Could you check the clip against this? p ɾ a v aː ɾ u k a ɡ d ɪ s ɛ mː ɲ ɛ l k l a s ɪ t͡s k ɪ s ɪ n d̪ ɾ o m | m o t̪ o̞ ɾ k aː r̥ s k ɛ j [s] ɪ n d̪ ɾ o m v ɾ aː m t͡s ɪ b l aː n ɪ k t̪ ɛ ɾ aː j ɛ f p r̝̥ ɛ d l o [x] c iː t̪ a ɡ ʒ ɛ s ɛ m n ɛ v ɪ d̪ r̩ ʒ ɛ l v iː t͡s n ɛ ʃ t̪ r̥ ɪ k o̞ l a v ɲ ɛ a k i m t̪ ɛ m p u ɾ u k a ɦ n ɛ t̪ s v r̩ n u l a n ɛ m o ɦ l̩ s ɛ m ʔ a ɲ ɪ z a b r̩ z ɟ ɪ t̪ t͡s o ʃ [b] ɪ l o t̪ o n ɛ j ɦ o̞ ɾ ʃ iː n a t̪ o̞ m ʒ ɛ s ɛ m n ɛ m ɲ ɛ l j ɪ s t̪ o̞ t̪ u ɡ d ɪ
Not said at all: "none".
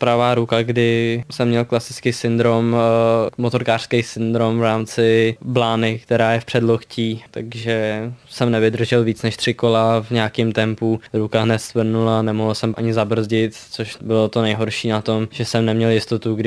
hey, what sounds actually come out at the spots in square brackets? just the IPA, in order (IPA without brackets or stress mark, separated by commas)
s, x, b